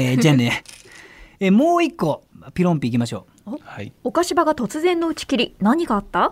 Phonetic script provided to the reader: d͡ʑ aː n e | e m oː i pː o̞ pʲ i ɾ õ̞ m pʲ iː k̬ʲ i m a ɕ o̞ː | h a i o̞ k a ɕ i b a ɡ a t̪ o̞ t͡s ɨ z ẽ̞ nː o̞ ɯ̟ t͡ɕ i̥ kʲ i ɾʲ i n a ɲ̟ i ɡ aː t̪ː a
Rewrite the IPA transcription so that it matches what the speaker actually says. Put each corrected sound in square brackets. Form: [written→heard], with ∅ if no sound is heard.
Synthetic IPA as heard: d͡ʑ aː n e | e m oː i [pː→kː] o̞ pʲ i ɾ õ̞ m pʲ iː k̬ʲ i m a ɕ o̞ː | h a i o̞ k a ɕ i b a ɡ a t̪ o̞ t͡s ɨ z ẽ̞ nː o̞ ɯ̟ t͡ɕ i̥ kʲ i ɾʲ i n a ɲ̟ i ɡ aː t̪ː a